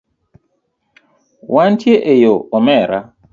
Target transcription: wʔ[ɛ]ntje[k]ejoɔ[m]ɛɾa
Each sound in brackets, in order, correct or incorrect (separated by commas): incorrect, incorrect, correct